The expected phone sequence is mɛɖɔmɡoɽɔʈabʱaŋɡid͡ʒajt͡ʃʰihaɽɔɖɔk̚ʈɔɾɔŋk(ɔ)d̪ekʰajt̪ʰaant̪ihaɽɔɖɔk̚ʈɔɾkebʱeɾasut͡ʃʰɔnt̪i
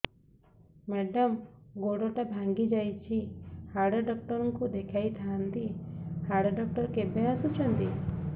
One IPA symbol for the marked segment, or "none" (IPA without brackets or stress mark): u